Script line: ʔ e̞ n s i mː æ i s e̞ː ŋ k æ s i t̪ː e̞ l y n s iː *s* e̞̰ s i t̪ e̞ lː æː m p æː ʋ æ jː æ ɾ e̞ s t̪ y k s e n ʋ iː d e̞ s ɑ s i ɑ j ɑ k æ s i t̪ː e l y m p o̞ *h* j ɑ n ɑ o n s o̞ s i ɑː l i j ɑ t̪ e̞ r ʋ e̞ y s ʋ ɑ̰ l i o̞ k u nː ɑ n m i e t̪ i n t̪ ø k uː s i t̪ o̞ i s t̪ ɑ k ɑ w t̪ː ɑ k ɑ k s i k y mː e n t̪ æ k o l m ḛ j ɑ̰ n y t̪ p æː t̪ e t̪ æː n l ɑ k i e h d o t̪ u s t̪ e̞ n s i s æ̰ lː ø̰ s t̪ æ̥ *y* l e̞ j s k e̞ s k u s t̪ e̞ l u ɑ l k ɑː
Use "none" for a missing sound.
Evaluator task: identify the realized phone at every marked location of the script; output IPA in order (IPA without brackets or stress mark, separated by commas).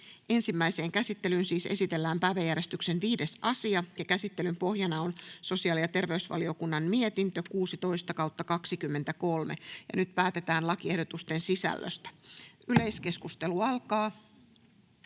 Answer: s, h, y